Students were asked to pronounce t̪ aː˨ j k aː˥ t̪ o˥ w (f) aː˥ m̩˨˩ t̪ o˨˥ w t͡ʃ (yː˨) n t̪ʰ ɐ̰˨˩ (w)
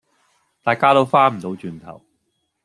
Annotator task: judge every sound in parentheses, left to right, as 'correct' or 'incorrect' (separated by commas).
correct, correct, correct